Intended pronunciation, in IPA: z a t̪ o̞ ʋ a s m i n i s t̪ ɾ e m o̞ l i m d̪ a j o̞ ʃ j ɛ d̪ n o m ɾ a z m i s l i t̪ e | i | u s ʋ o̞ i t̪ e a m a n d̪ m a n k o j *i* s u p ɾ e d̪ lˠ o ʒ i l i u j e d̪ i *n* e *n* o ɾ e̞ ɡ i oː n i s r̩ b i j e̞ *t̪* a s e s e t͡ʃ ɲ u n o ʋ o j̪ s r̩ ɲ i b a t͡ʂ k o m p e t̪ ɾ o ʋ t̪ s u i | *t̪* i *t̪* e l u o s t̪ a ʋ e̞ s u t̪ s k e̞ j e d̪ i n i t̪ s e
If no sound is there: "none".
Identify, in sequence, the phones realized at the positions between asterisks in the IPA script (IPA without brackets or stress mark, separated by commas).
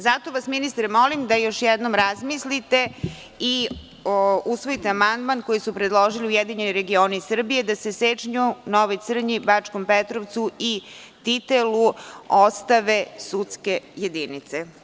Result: i, ɲ, n, d̪, t̪, t̪